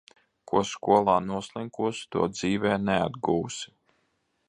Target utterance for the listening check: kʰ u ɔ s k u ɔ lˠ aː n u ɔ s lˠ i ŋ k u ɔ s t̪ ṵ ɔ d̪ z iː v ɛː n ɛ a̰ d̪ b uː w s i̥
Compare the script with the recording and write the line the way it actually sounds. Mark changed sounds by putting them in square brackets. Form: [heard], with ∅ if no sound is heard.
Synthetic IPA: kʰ u ɔ s k u ɔ lˠ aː n u ɔ s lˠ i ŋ k u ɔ s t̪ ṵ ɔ d̪ z iː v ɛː n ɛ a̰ d̪ [ɡ] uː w s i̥